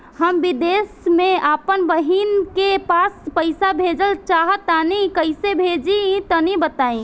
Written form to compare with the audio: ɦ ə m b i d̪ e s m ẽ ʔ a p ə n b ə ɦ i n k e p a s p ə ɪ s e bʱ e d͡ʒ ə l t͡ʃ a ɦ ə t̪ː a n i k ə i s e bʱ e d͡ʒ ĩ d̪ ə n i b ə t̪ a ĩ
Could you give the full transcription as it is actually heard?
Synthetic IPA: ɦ ə m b i d̪ e s m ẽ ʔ a p ə n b ə ɦ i n k e p a s p ə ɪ s a bʱ e d͡ʒ ə l t͡ʃ a ɦ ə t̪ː a n i k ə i s e bʱ e d͡ʒ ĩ t̪ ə n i b ə t̪ a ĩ